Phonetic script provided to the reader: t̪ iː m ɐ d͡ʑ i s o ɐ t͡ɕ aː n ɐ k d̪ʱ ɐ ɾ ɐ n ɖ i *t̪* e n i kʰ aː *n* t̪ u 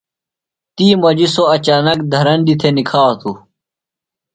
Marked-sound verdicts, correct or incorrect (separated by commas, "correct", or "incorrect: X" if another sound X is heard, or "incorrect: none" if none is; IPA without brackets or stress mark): incorrect: t̪ʰ, incorrect: none